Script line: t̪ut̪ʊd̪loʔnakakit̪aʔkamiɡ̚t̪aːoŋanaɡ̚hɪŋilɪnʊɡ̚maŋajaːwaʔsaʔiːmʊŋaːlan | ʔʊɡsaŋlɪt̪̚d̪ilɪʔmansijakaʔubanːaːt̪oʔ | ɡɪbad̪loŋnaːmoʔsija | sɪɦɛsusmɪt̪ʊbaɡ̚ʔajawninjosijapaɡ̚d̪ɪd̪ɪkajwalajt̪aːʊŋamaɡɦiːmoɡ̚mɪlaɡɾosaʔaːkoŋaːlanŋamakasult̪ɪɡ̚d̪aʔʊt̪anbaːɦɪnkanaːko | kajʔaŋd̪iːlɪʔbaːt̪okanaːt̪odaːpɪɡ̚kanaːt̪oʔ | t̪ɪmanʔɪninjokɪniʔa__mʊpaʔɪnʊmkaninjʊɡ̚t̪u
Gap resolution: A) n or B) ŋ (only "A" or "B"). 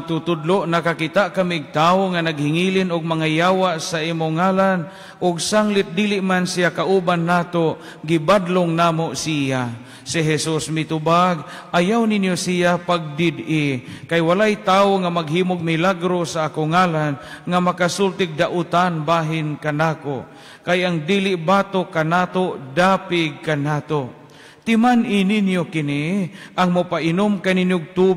B